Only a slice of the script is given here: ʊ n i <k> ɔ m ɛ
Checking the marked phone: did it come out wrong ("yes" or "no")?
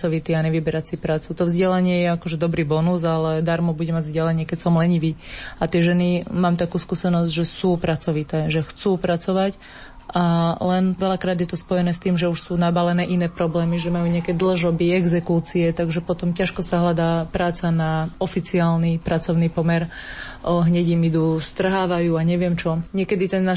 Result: yes